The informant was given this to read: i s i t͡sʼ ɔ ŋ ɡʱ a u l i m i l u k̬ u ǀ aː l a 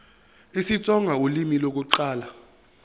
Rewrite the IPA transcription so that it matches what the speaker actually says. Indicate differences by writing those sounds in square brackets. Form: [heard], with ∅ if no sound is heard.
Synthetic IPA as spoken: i s i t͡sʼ ɔ ŋ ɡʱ a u l i m i l [o] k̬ u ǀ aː l a

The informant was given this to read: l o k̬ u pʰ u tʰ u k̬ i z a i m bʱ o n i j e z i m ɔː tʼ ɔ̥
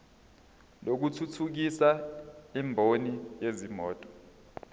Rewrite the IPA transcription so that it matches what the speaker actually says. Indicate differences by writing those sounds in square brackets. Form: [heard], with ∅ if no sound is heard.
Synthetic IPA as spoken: l o k̬ u [tʰ] u tʰ u k̬ i [s] a i m bʱ o n i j e z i m ɔː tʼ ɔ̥

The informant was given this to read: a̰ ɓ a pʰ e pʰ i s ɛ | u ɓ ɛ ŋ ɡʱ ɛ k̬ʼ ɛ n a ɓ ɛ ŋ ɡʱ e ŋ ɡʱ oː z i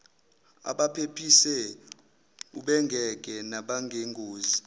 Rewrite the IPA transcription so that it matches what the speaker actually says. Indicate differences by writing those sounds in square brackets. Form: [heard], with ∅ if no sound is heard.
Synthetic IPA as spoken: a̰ ɓ a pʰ e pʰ i s ɛ | u ɓ ɛ ŋ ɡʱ ɛ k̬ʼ ɛ n a ɓ [a] ŋ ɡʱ e ŋ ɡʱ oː z i

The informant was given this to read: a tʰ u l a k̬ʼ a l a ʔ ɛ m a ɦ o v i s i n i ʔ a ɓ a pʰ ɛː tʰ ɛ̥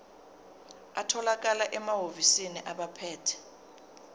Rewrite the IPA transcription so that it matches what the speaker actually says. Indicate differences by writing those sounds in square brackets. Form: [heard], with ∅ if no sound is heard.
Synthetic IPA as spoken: a tʰ [ɔ] l a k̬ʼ a l a ʔ ɛ m a ɦ o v i s i n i ʔ a ɓ a pʰ ɛː tʰ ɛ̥

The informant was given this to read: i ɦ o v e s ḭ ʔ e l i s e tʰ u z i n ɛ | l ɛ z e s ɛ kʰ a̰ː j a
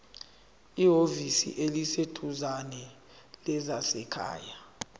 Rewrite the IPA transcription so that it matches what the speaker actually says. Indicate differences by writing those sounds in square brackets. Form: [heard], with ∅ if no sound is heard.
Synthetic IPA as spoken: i ɦ o v [i] s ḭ ʔ e l i s e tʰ u z [a] n ɛ | l ɛ z [a] s ɛ kʰ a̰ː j a

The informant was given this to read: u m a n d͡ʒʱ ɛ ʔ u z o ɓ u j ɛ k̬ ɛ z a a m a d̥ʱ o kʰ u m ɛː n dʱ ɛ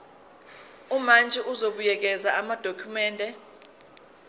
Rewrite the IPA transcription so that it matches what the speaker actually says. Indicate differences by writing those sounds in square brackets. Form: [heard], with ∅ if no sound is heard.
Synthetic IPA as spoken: u m a n d͡ʒʱ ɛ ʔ u z o ɓ u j ɛ k̬ ɛ z a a m a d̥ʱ o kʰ u m ɛː n dʱ ɛ

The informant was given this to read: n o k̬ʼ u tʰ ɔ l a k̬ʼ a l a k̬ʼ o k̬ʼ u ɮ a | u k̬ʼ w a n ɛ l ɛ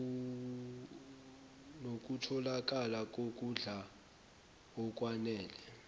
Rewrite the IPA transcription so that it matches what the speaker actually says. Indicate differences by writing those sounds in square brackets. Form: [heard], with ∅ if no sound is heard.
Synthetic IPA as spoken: n o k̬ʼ u tʰ ɔ l a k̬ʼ a l a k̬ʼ o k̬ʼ u ɮ a | [ɔ] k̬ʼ w a n [ɛː] l ɛ

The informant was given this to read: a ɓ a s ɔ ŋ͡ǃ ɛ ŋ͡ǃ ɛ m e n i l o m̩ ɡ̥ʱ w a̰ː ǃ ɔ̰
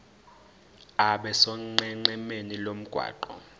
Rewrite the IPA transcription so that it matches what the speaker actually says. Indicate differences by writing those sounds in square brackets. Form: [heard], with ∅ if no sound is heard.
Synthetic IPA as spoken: a ɓ [ɛ] s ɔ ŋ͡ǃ ɛ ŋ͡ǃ ɛ m e n i l o m̩ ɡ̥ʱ w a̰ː ǃ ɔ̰

